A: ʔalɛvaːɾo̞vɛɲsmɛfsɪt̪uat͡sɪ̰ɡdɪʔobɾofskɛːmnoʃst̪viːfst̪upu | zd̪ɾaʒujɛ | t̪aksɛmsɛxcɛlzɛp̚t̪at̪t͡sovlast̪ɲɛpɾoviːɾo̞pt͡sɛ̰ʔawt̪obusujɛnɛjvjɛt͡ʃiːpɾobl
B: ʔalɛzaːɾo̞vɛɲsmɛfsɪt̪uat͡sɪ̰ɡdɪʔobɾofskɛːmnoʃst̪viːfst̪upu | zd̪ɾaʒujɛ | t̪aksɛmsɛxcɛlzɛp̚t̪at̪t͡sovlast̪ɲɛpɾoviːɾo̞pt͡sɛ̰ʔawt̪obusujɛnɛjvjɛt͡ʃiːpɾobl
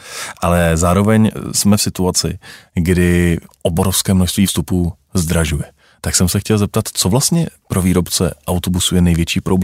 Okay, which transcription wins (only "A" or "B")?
B